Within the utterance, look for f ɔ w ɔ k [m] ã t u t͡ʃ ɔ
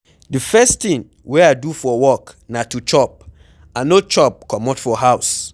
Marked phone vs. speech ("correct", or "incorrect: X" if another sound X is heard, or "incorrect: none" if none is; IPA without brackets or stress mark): incorrect: n